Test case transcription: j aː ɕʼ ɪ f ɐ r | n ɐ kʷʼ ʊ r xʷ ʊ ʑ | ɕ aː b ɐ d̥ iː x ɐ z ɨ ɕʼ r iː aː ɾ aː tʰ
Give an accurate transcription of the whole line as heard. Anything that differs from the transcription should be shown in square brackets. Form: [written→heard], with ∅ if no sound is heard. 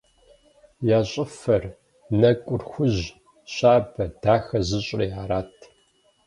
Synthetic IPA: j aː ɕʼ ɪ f ɐ r | n ɐ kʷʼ ʊ r xʷ ʊ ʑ | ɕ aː b ɐ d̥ [iː→aː] x ɐ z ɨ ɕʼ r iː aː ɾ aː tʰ